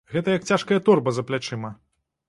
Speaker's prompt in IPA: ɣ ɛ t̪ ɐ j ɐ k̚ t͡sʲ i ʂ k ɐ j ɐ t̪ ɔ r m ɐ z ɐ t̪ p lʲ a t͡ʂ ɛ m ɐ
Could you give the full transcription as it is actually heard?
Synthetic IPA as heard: ɣ ɛ t̪ ɐ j ɐ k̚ t͡sʲ a ʂ k ɐ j ɐ t̪ ɔ r b ɐ z ɐ p lʲ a t͡ʂ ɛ m ɐ